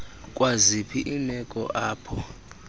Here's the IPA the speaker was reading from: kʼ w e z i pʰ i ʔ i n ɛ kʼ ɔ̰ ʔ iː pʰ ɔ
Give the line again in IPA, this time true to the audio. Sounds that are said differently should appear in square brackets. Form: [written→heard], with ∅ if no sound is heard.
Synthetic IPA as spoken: kʼ w [e→a] z i pʰ i ʔ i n ɛ kʼ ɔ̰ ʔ [iː→aː] pʰ ɔ